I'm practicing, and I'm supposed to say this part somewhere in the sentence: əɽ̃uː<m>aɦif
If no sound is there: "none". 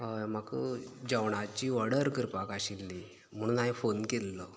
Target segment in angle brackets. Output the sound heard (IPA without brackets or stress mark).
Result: n